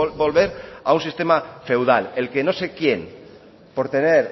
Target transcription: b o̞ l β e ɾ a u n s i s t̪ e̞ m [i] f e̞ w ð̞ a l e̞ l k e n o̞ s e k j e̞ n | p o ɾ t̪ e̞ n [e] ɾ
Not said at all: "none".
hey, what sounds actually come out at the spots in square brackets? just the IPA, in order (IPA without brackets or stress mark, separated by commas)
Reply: a, e